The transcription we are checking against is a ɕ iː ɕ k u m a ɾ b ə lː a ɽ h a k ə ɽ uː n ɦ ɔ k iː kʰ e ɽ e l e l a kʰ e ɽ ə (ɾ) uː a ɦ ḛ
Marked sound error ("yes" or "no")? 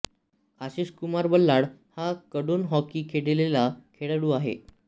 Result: yes